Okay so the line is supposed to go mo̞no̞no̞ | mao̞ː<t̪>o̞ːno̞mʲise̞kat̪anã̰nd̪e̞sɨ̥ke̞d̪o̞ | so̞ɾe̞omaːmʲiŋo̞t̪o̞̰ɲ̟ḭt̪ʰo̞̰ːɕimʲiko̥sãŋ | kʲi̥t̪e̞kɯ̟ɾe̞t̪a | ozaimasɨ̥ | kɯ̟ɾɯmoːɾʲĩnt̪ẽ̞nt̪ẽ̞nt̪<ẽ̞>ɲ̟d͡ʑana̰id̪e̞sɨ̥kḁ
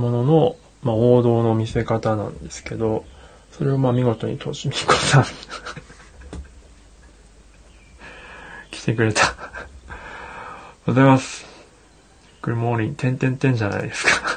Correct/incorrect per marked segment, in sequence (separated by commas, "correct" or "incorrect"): incorrect, correct